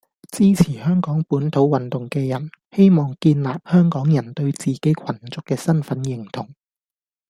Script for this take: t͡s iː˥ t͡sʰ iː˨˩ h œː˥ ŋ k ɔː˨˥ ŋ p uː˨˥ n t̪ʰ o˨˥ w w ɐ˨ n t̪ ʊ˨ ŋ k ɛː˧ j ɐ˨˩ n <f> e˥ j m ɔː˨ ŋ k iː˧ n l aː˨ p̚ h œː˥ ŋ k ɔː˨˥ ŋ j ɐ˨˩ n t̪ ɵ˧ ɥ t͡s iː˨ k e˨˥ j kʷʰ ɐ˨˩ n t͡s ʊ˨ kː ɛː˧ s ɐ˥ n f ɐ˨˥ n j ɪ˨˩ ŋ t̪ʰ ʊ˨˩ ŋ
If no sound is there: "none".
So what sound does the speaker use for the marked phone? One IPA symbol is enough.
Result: h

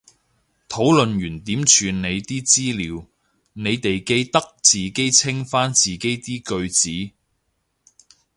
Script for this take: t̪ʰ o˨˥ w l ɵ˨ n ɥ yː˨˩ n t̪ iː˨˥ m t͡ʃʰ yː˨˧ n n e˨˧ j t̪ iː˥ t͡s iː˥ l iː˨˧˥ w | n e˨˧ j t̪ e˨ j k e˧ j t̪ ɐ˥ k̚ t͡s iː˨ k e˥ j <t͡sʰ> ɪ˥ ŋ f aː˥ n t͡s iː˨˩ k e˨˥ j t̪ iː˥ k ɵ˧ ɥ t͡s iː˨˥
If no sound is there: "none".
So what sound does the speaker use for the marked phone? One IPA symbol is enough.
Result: t͡sʰ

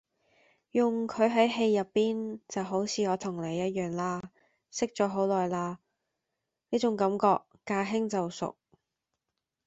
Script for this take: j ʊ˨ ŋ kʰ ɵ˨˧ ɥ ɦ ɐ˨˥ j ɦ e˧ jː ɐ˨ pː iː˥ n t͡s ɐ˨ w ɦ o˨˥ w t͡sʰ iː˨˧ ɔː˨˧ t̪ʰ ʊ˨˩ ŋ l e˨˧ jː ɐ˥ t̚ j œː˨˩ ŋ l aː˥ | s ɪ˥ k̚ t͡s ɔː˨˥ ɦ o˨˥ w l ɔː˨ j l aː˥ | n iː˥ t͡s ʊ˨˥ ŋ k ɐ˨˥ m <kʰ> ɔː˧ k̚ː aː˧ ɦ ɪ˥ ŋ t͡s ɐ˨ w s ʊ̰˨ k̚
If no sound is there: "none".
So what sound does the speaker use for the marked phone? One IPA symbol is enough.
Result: k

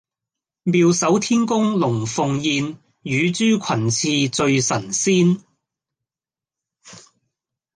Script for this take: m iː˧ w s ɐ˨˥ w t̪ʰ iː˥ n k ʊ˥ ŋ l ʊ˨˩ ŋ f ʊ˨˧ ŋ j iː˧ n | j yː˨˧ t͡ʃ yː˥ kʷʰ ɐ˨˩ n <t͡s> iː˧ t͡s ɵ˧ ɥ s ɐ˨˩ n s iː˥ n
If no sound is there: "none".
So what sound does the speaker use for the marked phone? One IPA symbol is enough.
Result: t͡sʰ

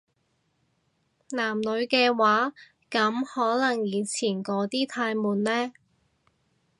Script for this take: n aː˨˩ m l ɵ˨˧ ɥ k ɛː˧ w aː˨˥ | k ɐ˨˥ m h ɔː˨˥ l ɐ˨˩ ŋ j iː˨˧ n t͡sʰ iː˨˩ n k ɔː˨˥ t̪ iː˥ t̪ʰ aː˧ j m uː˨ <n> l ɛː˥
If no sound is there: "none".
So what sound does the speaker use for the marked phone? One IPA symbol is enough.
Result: n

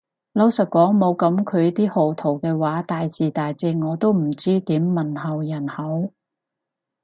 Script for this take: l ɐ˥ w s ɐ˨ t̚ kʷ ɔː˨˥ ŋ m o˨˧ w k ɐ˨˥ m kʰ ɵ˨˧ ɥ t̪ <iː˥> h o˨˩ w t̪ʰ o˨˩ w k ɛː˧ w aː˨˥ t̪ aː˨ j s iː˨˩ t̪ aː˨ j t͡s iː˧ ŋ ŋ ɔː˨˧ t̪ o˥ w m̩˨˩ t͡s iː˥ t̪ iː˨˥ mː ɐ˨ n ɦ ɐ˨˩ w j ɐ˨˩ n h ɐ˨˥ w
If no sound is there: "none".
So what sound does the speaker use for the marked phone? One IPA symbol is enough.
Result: iː˥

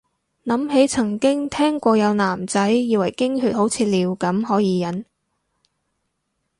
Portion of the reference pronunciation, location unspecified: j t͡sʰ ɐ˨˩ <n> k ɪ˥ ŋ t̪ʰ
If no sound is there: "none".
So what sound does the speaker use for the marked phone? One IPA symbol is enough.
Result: ŋ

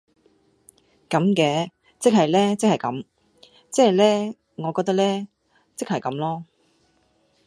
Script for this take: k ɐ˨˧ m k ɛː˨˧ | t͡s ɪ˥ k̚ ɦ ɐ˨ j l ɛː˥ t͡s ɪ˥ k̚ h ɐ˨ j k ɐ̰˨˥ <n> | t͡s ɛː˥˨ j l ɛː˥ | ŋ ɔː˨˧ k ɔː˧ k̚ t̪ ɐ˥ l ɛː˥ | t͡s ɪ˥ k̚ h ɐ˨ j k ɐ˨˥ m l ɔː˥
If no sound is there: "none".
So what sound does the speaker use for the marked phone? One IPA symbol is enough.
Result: m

